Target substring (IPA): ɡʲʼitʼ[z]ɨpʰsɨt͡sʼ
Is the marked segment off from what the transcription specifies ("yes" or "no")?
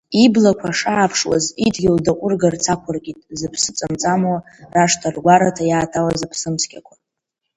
no